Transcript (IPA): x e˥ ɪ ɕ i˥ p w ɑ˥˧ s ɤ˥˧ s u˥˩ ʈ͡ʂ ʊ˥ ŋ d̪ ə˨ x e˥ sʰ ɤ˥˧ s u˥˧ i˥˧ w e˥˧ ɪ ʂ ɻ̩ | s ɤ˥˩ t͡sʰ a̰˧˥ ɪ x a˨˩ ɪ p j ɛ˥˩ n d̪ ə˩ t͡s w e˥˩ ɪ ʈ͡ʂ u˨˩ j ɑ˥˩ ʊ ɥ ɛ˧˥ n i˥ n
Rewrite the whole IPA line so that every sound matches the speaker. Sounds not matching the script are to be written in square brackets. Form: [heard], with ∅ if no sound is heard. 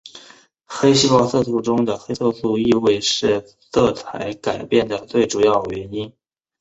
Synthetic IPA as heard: x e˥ ɪ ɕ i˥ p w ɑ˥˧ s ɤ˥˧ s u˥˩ ʈ͡ʂ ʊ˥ ŋ d̪ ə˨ x e˥ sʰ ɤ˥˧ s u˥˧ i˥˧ w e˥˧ ɪ ʂ ɻ̩ | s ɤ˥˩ t͡sʰ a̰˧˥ ɪ [k] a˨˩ ɪ p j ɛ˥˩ n d̪ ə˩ t͡s w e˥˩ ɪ ʈ͡ʂ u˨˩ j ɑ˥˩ ʊ ɥ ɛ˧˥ n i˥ n